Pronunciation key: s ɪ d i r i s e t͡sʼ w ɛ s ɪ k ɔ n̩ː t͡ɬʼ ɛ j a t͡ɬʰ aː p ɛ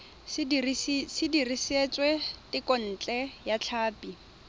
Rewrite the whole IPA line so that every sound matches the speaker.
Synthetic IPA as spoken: s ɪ d i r i s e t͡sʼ w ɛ t ɪ k ɔ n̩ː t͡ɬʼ ɛ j a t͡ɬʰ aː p i